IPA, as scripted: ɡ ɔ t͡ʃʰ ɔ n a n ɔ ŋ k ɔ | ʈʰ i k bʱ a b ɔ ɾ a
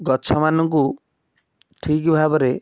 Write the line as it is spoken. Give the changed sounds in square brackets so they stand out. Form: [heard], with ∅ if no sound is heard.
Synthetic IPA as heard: ɡ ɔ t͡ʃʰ ɔ [m] a n ɔ ŋ k [u] | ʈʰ i k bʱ a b ɔ ɾ [e]